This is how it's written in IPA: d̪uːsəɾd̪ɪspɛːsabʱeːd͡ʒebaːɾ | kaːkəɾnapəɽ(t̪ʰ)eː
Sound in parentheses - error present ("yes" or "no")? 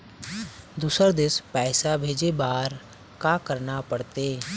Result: yes